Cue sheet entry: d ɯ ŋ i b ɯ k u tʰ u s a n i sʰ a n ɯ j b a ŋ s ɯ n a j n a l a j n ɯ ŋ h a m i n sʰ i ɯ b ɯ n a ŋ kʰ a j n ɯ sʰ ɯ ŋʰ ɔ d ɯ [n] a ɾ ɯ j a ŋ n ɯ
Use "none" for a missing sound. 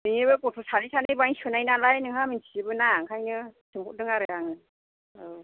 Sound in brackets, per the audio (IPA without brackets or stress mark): ŋ